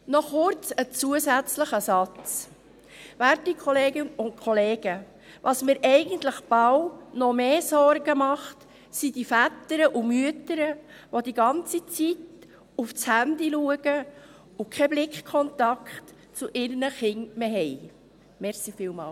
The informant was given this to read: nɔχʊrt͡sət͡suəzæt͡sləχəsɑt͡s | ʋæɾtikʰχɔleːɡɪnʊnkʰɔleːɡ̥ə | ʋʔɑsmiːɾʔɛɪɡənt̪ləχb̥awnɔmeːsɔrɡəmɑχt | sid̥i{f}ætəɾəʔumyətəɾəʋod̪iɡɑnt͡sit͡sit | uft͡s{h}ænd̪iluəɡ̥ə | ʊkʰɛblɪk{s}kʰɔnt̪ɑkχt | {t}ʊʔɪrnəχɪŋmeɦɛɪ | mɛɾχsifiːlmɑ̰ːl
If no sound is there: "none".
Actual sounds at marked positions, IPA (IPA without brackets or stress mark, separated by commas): f, h, χ, t͡s